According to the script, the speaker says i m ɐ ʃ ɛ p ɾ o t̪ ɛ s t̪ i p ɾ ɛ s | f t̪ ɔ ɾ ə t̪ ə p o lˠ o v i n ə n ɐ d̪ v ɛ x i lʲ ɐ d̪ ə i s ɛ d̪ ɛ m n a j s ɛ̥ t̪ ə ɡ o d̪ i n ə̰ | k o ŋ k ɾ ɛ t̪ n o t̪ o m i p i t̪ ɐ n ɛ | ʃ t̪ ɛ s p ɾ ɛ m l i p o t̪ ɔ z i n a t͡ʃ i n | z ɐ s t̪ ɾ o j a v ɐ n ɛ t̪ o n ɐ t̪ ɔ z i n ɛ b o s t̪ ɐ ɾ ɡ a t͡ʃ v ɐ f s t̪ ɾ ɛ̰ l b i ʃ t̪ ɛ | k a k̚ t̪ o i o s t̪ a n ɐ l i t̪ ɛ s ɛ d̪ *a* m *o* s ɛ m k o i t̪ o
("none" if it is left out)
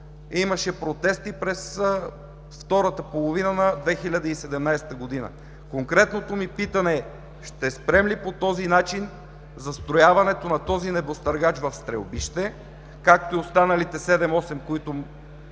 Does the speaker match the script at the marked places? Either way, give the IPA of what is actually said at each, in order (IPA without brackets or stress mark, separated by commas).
ɛ, ɔ